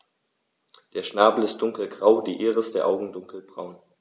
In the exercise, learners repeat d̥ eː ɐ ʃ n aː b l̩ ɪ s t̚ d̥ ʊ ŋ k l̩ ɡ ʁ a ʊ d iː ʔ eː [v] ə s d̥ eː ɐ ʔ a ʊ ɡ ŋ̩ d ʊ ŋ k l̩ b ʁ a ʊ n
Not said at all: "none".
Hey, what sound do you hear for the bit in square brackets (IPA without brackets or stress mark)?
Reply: ʁ